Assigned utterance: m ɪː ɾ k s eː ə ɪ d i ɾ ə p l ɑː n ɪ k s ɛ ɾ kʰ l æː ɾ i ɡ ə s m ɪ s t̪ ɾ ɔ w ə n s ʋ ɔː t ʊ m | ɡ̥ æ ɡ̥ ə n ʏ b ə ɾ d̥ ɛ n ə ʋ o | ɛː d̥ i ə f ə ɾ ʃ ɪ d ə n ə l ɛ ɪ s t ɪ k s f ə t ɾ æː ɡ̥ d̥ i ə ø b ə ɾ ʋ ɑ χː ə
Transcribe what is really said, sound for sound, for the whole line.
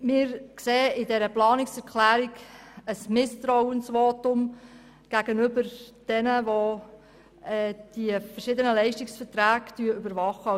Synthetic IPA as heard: m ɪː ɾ k s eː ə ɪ d ɛ ɾ ə p l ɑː n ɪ k s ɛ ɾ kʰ l æː ɾ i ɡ ə s m ɪ s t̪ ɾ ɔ w ə n s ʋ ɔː t ʊ m | ɡ̥ æ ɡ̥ ə n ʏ b ə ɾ d̥ ɛ n ə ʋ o | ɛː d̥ i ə f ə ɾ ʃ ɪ d ə n ə l ɛ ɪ ʃ t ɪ k s f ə t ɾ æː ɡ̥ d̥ y ə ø b ə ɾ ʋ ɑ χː ə